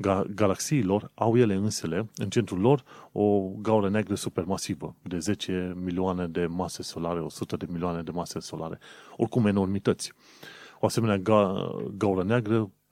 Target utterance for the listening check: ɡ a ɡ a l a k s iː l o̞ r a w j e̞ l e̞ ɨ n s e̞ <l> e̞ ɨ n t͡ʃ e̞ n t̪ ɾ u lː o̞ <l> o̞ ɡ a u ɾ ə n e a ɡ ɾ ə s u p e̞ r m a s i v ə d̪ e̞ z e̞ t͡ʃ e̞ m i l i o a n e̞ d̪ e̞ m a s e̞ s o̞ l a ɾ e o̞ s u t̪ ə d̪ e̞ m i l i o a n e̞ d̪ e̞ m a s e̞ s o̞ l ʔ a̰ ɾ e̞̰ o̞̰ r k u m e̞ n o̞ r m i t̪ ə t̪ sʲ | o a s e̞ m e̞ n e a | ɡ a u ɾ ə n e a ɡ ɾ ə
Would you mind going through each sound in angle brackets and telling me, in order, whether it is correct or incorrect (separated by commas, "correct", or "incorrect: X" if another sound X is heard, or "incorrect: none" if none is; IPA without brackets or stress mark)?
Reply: correct, incorrect: r